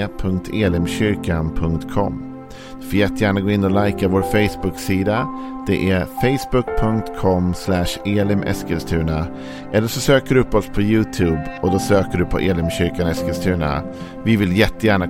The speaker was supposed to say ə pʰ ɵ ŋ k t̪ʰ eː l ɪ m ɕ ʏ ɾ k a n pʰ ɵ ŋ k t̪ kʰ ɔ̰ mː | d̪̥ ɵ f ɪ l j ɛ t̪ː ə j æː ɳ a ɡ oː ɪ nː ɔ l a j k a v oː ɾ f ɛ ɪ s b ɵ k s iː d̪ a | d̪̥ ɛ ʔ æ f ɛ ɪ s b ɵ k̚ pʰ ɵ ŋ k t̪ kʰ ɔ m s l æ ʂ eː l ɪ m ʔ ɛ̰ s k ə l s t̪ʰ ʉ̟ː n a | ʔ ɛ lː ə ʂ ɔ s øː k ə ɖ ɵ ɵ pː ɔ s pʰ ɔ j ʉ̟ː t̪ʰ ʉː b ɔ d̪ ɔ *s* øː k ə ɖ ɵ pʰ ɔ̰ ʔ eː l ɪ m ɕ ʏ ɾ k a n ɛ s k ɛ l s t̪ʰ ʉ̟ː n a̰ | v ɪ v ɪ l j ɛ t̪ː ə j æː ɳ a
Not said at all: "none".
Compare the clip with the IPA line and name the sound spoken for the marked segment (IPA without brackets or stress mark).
s